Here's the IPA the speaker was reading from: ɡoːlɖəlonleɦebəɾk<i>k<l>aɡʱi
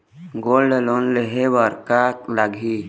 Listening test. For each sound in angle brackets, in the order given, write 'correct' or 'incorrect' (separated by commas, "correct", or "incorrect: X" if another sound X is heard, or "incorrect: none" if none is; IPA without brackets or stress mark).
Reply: incorrect: a, correct